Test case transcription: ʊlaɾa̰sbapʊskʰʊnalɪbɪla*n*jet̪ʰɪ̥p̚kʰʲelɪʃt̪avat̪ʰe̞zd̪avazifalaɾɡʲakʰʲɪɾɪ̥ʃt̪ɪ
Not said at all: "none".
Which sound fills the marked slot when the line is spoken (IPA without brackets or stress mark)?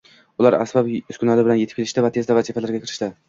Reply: n